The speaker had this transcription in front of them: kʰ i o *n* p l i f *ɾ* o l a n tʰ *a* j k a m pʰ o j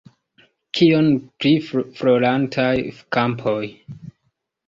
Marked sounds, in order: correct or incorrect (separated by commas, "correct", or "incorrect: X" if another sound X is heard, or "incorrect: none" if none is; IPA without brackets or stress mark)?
correct, correct, correct